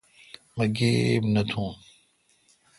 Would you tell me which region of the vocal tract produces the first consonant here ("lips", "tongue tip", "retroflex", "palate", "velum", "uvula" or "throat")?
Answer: lips